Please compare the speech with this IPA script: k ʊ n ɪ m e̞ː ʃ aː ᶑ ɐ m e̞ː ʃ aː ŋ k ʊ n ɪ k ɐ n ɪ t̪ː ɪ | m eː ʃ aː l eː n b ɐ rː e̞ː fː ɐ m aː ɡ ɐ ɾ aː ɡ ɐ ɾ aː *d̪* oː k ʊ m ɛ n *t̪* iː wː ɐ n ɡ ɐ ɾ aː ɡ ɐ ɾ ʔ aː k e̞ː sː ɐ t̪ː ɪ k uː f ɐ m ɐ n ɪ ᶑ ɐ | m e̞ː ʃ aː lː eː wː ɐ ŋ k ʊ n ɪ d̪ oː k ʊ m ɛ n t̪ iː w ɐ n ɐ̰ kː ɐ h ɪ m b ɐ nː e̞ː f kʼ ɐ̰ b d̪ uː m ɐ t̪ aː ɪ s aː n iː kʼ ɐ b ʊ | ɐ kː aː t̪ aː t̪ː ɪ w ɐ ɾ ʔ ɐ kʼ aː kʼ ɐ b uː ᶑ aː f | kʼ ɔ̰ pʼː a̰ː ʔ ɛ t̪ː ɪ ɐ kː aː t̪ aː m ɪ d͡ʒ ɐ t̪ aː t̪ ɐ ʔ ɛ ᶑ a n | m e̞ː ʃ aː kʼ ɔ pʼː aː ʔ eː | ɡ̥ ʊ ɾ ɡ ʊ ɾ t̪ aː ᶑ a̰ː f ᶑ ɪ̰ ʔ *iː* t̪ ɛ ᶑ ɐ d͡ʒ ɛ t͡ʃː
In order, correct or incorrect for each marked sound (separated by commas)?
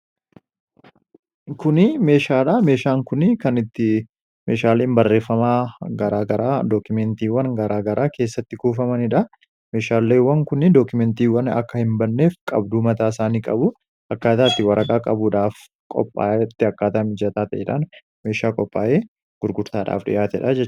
correct, correct, incorrect